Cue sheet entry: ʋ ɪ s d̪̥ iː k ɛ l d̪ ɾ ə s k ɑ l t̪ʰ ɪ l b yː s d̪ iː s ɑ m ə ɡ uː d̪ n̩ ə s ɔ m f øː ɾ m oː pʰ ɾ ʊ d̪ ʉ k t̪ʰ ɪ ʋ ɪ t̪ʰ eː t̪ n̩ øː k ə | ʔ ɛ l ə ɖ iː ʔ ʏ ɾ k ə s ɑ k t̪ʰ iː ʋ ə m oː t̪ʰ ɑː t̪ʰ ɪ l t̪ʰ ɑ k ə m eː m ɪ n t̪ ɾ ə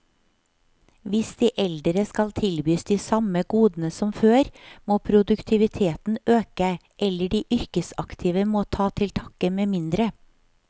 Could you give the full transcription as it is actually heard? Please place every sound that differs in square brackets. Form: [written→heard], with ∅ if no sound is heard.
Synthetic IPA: ʋ ɪ s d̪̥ iː [k→ʔ] ɛ l d̪ ɾ ə s k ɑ l t̪ʰ ɪ l b yː s d̪ iː s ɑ m ə ɡ uː d̪ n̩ ə s ɔ m f øː ɾ m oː pʰ ɾ ʊ d̪ ʉ k t̪ʰ ɪ ʋ ɪ t̪ʰ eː t̪ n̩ øː k ə | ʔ ɛ l ə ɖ iː ʔ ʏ ɾ k ə s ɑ k t̪ʰ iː ʋ ə m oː t̪ʰ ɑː t̪ʰ ɪ l t̪ʰ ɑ k ə m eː m ɪ n [t̪→d̪] ɾ ə